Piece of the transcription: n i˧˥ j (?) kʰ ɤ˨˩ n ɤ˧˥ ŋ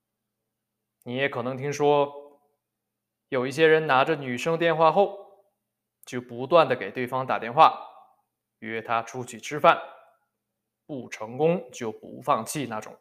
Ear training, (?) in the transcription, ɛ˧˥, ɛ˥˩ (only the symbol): ɛ˧˥